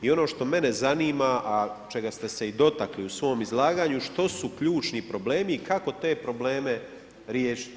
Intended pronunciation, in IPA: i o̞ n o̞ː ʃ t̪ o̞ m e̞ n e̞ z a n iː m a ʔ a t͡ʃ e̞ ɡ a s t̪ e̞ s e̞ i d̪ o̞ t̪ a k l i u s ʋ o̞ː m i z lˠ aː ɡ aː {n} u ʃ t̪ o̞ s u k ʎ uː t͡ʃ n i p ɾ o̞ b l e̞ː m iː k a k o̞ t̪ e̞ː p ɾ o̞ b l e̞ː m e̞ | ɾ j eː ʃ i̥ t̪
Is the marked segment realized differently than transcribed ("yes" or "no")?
yes